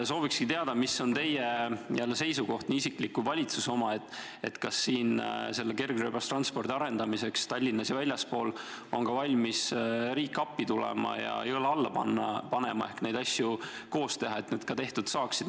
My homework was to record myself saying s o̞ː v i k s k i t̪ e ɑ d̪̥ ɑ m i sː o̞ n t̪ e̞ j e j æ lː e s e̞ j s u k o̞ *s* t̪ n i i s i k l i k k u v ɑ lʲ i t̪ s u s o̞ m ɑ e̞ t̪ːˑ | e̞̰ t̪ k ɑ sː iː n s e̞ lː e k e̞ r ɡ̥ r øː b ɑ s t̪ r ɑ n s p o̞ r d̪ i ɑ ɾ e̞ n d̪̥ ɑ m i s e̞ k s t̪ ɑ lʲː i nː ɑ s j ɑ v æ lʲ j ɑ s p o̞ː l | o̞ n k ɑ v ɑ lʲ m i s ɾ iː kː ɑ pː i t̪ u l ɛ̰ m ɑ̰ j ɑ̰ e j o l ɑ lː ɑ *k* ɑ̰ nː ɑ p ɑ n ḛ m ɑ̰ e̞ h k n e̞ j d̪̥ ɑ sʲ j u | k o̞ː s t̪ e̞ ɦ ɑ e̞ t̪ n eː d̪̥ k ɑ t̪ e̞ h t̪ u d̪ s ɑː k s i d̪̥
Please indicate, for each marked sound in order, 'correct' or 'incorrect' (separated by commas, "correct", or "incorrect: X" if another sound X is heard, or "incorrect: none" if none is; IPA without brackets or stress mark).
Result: incorrect: h, incorrect: p